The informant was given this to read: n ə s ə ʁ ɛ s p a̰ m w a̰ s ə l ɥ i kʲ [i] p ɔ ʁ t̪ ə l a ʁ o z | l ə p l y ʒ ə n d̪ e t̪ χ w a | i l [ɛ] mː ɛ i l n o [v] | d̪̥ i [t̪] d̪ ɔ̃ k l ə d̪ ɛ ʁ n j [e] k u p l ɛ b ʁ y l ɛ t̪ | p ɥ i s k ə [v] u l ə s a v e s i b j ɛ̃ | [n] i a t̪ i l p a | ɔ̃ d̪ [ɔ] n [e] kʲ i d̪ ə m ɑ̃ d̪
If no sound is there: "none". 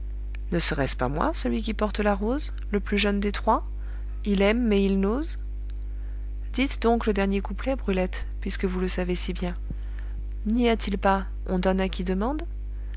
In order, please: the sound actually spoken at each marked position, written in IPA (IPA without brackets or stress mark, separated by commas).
i, ɛ, z, t̪, e, v, n, ɔ, a